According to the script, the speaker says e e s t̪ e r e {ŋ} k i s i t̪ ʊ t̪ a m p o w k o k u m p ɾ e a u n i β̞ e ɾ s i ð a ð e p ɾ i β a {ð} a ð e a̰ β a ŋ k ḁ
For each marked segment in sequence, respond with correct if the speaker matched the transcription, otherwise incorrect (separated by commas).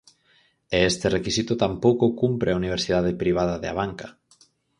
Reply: incorrect, correct